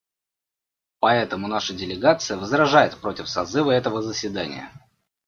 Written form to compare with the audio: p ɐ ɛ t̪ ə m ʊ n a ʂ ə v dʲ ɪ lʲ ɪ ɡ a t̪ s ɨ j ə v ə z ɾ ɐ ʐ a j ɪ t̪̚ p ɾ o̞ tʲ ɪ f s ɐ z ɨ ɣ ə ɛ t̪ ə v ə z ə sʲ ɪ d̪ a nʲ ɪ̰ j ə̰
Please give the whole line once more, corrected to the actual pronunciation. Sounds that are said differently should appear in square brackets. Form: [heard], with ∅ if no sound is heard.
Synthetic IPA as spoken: p ɐ ɛ t̪ ə m ʊ n a ʂ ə [∅] dʲ ɪ lʲ ɪ ɡ a t̪ s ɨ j ə v ə z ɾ ɐ ʐ a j ɪ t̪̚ p ɾ o̞ tʲ ɪ f s ɐ z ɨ [v] ə ɛ t̪ ə v ə z ə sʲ ɪ d̪ a nʲ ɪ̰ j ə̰